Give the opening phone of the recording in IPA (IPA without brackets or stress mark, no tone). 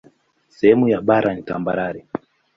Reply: s